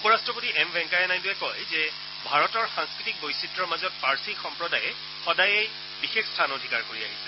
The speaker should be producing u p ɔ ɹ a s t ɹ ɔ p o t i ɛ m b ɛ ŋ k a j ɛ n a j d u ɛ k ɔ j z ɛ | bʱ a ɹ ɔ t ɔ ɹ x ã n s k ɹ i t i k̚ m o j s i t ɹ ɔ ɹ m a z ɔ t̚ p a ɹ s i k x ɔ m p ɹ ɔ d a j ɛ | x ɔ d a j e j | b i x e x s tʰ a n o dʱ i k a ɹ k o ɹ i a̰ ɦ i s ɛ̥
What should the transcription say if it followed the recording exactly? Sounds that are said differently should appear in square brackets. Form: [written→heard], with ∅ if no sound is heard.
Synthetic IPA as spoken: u p ɔ ɹ a s t ɹ ɔ p o t i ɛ m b ɛ ŋ k a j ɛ n a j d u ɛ k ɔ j z ɛ | bʱ a ɹ ɔ t ɔ ɹ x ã [n→ŋ] s k ɹ i t i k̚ [m→b] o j s i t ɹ ɔ ɹ m a z ɔ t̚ p a ɹ s i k x ɔ m p ɹ ɔ d a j ɛ | x ɔ d a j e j | b i x e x s tʰ a n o dʱ i k a ɹ k o ɹ i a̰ ɦ i s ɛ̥